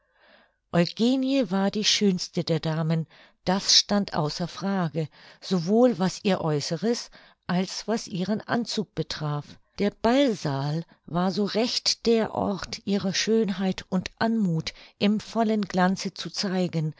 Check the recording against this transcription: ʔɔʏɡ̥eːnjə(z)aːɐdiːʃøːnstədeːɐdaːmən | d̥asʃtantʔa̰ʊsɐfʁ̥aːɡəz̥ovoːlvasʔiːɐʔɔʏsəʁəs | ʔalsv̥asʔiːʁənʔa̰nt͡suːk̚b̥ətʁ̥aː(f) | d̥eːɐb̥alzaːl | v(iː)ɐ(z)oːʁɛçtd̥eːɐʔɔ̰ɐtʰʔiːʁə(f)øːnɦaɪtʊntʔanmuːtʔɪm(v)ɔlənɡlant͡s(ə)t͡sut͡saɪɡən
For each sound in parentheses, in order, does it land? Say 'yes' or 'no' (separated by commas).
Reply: no, yes, no, yes, no, no, yes